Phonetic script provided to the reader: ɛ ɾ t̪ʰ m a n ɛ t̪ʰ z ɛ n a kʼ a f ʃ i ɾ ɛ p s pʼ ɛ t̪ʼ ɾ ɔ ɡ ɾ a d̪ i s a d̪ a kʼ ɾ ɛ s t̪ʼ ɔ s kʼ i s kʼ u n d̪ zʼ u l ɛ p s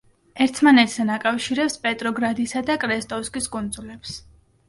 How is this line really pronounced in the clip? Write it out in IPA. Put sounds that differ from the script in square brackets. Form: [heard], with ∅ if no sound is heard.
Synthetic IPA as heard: ɛ ɾ t̪ʰ m a n ɛ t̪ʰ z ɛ n a kʼ a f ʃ i ɾ ɛ p s pʼ ɛ t̪ʼ ɾ ɔ ɡ ɾ a d̪ i s a d̪ a kʼ ɾ ɛ s t̪ʼ ɔ s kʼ i s kʼ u n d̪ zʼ u l ɛ p s